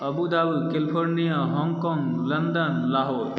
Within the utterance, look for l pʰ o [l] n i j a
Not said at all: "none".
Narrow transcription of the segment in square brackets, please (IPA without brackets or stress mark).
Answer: ɾ